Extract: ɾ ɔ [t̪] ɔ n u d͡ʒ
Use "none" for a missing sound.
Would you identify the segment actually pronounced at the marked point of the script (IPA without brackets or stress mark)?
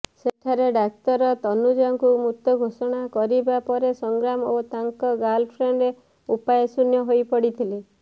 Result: t̪